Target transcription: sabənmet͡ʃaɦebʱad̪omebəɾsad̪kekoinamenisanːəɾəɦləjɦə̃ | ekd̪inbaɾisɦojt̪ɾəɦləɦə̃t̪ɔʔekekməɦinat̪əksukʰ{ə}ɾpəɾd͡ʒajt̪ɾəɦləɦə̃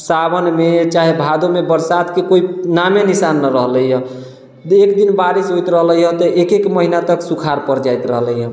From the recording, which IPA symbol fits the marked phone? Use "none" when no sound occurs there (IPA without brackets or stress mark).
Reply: a